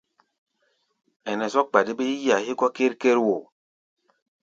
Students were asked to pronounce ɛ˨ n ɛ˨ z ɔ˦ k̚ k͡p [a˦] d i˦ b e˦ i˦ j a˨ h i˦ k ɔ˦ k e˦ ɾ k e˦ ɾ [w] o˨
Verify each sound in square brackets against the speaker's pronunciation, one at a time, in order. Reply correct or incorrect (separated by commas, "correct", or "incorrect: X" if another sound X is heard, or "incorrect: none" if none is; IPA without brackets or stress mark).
incorrect: a˨, correct